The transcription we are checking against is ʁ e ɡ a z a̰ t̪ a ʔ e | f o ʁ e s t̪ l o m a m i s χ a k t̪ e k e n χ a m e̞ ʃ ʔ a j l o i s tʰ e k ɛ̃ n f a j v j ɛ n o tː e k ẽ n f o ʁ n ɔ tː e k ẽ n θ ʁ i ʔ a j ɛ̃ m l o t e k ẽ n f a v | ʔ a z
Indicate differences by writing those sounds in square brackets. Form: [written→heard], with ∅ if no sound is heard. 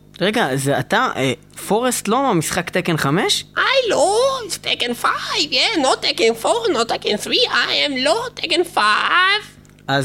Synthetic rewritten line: ʁ e ɡ a z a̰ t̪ a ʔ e | f o ʁ e s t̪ l o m a m i s χ a k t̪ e k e n χ a m e̞ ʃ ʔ a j l o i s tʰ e k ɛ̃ n f a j v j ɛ n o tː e k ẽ n f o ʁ n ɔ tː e k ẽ n θ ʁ i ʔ a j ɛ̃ m l o t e k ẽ n f a v | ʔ a z